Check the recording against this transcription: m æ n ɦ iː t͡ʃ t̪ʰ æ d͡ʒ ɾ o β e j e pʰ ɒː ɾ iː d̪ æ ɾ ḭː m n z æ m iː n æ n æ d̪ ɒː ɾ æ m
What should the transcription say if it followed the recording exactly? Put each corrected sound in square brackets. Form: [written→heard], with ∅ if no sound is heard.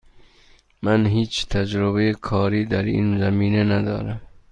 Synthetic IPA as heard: m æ n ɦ iː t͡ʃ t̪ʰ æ d͡ʒ ɾ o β e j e [pʰ→kʰ] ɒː ɾ iː d̪ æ ɾ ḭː [m→∅] n z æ m iː n [æ→e] n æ d̪ ɒː ɾ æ m